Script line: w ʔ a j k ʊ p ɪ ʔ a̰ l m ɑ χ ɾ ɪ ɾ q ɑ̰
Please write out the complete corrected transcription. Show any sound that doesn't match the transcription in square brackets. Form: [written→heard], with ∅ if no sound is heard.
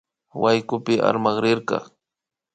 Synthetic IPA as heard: w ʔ a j k ʊ p ɪ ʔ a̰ [l→ɾ] m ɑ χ ɾ ɪ ɾ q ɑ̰

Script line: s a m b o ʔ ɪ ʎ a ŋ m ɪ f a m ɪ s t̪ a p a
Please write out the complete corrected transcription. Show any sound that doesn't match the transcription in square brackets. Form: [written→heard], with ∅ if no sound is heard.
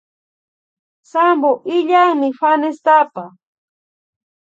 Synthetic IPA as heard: s a m b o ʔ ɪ ʎ a ŋ m ɪ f a [m→n] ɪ s t̪ a p a

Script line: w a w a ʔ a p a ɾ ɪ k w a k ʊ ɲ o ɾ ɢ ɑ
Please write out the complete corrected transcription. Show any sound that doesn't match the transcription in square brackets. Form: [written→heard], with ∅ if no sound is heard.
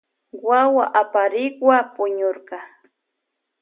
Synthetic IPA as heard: w a w a ʔ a p a ɾ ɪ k w a [k→p] ʊ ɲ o ɾ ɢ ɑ

